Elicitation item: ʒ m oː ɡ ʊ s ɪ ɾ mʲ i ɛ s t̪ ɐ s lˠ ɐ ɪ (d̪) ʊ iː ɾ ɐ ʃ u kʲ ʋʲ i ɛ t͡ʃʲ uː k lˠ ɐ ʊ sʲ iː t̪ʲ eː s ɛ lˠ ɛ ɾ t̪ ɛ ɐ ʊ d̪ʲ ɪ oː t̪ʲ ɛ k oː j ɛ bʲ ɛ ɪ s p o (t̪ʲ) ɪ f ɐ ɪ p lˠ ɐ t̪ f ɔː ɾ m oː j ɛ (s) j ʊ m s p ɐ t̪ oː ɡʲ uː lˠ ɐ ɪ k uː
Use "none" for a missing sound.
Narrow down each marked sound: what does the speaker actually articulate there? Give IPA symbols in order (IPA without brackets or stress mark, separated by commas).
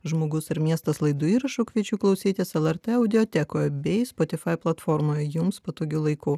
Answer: d̪, t̪ʲ, none